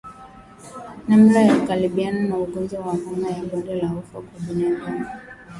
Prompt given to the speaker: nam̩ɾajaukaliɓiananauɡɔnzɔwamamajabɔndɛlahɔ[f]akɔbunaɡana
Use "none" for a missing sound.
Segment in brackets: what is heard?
f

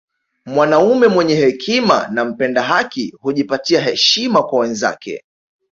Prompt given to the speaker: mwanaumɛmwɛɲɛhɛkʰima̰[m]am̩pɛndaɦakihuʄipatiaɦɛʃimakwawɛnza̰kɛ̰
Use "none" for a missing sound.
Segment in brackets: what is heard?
n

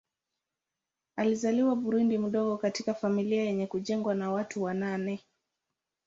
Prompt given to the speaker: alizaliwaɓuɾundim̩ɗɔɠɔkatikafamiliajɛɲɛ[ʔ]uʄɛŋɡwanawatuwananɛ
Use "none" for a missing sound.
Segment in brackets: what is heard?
k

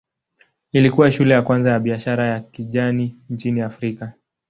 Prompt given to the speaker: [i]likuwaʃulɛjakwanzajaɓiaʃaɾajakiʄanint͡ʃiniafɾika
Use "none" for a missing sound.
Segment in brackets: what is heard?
i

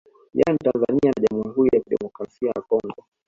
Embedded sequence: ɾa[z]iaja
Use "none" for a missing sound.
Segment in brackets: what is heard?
s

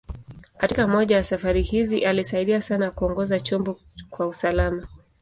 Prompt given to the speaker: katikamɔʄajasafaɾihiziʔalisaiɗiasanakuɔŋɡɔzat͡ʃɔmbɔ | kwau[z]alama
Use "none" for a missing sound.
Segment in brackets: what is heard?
s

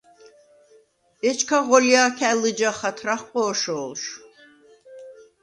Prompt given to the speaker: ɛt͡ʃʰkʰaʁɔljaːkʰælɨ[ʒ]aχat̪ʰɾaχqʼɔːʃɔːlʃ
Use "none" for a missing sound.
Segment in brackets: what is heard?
d͡ʒ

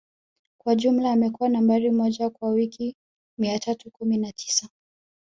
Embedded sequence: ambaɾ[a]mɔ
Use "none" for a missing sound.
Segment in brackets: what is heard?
i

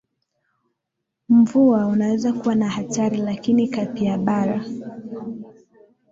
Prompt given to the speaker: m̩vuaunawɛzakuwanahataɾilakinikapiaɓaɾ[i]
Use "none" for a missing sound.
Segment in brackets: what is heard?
a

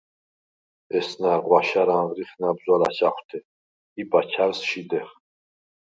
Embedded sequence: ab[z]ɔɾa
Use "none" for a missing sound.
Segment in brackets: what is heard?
z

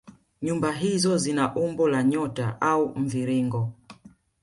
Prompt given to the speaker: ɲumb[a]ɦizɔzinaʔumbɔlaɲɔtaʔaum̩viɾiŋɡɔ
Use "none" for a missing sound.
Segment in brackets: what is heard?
a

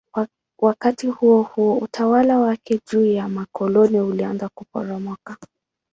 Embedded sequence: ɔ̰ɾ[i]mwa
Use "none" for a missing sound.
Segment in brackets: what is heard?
a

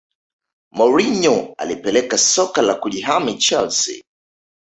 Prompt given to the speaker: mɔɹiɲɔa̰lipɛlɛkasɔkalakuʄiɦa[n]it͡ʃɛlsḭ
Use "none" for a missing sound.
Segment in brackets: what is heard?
m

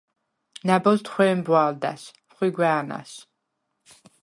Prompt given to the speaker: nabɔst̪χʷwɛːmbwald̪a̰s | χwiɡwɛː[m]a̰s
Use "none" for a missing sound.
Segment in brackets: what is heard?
n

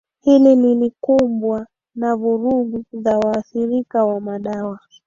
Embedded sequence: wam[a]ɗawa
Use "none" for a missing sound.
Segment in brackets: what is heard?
a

